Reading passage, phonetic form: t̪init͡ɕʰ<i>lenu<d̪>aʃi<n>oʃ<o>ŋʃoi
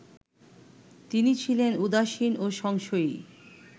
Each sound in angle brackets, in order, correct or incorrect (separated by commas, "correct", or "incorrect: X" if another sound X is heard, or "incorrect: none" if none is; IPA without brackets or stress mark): correct, correct, correct, incorrect: ɔ